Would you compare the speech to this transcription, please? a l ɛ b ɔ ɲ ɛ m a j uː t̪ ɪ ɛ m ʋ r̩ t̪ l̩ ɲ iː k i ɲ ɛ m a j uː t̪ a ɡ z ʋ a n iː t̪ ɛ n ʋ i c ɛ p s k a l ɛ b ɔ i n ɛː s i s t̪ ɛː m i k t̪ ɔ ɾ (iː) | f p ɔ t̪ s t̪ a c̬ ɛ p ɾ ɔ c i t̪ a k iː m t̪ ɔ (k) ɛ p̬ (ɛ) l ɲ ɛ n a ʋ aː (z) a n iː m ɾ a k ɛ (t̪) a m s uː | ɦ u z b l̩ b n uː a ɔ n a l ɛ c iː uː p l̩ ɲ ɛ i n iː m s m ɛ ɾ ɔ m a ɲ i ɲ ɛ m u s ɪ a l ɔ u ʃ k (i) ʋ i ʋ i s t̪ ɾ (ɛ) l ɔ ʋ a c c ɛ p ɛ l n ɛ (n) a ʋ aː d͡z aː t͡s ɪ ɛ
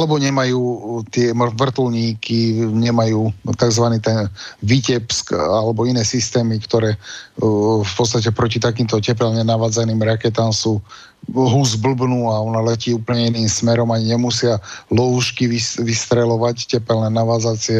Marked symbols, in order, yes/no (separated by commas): no, no, yes, no, yes, yes, yes, yes